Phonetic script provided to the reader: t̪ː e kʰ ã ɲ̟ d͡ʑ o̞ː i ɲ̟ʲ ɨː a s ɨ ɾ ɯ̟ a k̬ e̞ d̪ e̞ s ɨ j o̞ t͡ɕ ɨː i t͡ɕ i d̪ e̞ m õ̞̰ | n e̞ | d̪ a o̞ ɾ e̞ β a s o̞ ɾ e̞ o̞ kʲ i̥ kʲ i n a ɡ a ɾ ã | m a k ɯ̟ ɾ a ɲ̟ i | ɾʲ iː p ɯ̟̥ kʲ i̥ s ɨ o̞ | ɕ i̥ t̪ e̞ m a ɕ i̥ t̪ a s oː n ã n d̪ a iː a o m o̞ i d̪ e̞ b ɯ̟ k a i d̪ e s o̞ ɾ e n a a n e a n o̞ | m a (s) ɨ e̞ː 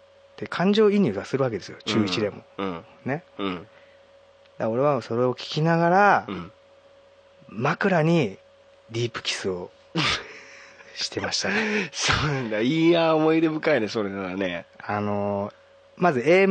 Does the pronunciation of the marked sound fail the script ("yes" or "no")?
yes